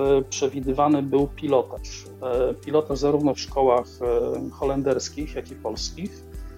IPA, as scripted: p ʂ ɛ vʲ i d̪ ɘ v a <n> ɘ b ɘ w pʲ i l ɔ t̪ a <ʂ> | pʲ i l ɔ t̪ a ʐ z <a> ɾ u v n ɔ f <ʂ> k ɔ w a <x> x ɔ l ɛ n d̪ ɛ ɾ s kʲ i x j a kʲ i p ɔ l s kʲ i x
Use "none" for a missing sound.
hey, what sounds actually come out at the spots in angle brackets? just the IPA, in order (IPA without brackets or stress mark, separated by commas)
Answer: n, ʂ, a, ʂ, x